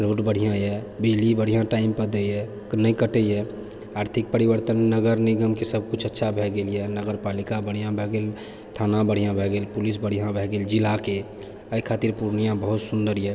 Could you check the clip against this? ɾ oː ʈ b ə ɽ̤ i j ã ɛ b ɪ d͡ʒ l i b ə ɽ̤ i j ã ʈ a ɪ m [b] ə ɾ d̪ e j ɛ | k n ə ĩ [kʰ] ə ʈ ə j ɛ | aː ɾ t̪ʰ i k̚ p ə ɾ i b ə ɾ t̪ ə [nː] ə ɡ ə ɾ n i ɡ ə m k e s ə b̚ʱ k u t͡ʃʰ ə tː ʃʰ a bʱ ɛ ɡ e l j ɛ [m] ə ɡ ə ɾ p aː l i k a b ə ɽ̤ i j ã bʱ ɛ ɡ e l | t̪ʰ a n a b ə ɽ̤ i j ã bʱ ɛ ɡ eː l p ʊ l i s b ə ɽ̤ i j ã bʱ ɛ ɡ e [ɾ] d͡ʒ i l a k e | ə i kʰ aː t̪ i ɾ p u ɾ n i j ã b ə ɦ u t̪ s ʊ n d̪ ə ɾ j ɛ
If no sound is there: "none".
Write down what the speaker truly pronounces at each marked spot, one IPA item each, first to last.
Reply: p, k, nː, n, l

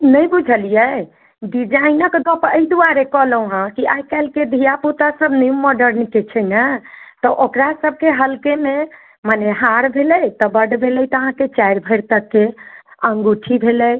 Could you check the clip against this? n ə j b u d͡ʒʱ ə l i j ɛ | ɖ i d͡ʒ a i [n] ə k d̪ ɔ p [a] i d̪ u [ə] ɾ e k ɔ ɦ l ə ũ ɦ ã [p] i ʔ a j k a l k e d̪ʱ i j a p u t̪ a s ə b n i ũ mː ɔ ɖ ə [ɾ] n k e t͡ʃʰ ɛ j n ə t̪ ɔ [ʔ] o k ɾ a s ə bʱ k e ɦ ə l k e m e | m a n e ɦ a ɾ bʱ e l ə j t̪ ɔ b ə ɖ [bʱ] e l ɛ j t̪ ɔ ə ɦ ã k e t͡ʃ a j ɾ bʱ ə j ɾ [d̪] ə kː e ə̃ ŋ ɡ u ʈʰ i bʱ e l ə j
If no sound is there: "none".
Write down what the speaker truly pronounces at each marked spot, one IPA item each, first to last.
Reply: n, ə, a, k, ɾ, ʔ, bʱ, t̪

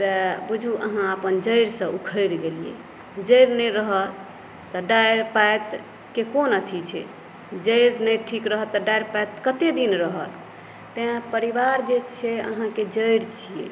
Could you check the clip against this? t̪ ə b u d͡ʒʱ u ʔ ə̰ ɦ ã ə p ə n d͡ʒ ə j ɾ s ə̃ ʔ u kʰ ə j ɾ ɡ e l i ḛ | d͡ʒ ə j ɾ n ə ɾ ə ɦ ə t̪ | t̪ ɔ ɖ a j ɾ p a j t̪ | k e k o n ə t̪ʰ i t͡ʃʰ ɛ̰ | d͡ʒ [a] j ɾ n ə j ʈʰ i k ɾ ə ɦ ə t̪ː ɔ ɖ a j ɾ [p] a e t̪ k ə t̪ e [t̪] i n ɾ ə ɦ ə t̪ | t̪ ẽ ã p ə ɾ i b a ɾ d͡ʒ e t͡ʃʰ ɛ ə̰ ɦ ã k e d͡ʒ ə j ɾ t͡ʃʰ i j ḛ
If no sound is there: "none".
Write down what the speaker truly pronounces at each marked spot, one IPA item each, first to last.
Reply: ə, p, d̪

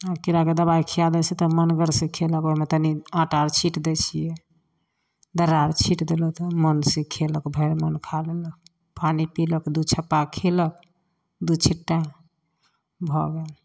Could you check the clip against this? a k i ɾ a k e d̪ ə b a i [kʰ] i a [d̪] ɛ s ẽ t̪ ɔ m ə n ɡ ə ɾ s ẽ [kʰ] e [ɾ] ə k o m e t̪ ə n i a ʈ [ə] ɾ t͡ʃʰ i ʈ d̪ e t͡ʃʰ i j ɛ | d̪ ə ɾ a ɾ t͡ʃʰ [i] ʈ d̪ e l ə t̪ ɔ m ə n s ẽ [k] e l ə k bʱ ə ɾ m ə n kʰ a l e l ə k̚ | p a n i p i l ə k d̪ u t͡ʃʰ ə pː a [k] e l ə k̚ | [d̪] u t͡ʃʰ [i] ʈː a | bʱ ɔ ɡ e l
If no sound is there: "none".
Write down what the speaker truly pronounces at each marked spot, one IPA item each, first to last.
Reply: kʰ, d̪, kʰ, l, a, i, kʰ, kʰ, d̪, i

